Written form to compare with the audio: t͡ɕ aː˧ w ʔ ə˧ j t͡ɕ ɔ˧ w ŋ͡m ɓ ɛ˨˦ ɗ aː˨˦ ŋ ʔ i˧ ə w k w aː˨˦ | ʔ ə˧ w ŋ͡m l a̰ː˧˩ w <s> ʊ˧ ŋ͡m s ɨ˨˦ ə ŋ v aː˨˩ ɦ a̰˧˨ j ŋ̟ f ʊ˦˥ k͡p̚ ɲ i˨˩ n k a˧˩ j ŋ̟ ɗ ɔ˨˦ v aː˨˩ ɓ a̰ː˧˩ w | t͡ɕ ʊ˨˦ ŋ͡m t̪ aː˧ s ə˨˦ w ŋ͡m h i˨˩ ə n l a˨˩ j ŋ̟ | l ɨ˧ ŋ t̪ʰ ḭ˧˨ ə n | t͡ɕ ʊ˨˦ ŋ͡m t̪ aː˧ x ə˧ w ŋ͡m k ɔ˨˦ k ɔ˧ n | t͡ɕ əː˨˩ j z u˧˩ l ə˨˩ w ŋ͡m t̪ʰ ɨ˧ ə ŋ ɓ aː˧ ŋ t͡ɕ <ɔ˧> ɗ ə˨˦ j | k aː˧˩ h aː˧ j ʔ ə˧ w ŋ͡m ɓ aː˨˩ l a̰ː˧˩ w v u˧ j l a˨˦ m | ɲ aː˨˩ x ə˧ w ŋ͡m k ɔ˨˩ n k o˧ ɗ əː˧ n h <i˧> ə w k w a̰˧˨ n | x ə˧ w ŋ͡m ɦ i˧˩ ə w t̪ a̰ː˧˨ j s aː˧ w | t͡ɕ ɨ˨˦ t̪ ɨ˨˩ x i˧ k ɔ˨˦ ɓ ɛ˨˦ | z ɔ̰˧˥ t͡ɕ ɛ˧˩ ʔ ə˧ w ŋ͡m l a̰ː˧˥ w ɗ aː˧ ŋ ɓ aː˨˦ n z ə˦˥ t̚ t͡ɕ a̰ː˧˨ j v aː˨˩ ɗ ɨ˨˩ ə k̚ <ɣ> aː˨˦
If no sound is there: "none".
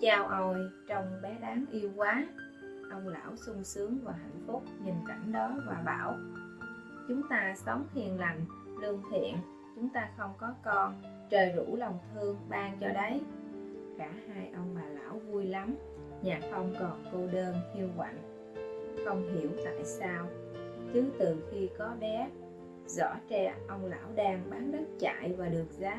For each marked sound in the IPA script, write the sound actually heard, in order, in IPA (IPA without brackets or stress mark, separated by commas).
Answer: s, ɔ˧, i˧, z